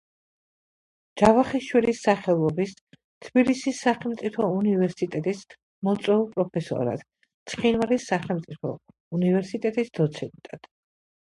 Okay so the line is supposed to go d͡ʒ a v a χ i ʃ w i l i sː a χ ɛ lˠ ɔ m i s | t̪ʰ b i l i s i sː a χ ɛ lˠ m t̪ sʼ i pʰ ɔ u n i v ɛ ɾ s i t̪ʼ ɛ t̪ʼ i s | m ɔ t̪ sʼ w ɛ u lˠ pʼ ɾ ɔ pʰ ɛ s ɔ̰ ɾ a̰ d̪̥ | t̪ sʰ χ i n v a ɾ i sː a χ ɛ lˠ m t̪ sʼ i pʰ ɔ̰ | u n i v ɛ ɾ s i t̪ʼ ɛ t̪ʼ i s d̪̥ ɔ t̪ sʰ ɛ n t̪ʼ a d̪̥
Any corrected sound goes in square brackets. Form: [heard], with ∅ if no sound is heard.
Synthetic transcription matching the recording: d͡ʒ a v a χ i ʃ w i l i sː a χ ɛ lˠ ɔ [b] i s | t̪ʰ b i l i s i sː a χ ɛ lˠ m t̪ sʼ i pʰ ɔ u n i v ɛ ɾ s i t̪ʼ ɛ t̪ʼ i s | m ɔ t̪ sʼ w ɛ u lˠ pʼ ɾ ɔ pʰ ɛ s ɔ̰ ɾ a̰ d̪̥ | t̪ sʰ χ i n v a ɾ i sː a χ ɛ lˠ m t̪ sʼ i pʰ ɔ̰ | u n i v ɛ ɾ s i t̪ʼ ɛ t̪ʼ i s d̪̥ ɔ t̪ sʰ ɛ n t̪ʼ a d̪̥